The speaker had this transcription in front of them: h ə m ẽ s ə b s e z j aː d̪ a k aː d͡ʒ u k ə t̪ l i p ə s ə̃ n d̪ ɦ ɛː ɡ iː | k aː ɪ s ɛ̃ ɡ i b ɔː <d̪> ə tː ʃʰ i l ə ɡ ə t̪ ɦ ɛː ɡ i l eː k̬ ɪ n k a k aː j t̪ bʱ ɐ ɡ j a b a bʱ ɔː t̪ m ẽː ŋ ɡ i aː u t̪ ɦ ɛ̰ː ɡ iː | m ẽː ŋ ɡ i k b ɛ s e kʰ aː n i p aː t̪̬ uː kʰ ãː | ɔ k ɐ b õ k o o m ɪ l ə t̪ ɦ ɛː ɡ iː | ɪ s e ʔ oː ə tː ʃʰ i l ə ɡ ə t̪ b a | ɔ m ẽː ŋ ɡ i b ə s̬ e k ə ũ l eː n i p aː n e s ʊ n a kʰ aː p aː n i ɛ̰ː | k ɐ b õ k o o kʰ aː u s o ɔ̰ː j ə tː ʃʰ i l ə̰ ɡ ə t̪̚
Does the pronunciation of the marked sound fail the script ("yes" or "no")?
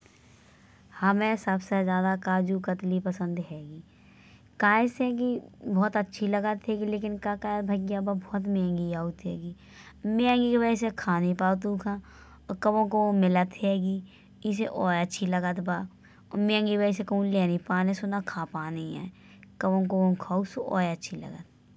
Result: yes